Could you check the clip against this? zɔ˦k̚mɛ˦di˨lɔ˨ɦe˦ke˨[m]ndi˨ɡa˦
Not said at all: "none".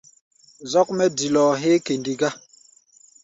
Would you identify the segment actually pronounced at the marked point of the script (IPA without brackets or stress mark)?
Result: none